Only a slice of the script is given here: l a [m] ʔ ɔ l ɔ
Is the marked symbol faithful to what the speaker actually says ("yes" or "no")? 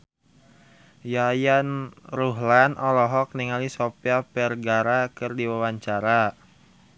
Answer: no